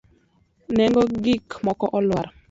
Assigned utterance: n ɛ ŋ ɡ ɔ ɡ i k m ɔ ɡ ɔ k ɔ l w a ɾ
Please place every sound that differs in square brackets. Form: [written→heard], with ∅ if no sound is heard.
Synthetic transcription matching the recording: n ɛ ŋ ɡ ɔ ɡ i k m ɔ [ɡ→k] ɔ [k→ʔ] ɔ l w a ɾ